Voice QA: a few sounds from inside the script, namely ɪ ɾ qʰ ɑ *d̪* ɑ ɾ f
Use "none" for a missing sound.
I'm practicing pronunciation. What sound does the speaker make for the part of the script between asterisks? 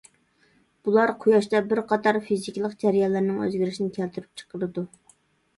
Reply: t̪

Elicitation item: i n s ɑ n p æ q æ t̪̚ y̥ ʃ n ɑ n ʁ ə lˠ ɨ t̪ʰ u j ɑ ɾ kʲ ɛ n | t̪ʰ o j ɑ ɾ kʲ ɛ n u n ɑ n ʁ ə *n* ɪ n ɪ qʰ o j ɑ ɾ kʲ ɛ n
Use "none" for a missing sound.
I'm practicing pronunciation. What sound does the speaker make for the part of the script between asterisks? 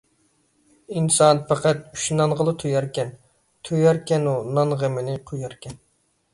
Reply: m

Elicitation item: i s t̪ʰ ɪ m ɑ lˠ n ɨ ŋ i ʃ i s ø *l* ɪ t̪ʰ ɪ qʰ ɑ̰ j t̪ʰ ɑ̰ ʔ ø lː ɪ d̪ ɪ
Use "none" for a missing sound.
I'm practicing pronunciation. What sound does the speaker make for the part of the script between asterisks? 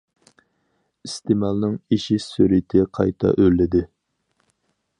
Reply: ɾ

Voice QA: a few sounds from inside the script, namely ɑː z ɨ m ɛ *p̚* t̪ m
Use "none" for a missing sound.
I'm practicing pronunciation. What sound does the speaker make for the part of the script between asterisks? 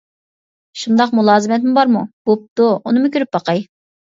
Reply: none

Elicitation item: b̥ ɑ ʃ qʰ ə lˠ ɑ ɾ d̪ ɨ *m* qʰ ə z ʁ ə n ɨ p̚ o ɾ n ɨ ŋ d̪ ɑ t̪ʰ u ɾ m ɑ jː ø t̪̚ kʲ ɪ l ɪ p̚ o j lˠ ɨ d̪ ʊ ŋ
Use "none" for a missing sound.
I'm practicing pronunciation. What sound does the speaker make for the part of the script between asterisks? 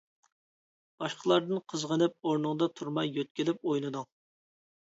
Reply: n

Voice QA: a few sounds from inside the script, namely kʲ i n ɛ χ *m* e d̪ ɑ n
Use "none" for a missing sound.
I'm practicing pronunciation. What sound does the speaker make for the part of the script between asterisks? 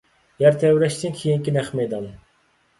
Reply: m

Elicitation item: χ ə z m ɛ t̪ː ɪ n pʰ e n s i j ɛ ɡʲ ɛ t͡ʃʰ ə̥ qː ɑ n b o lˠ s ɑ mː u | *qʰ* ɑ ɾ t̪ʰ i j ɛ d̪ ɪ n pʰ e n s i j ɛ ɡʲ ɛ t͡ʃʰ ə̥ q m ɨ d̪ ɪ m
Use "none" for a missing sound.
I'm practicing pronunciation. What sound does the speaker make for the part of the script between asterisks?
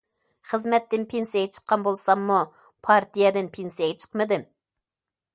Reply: pʰ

